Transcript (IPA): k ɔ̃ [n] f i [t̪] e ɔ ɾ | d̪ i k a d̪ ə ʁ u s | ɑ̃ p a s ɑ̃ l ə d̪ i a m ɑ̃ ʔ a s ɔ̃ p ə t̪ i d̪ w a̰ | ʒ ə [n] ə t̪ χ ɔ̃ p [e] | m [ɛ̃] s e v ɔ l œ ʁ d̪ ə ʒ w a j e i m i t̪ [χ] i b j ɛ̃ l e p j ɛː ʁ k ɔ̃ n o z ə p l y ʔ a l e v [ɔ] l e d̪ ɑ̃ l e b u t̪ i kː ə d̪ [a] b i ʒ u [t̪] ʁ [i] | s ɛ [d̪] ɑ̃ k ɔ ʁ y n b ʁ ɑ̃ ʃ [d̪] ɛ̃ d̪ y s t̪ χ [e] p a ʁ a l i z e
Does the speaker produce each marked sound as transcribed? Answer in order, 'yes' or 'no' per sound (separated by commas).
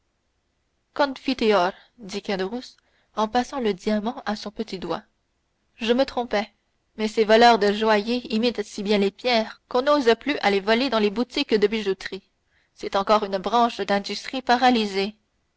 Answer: yes, yes, no, no, no, no, yes, no, yes, yes, no, yes, no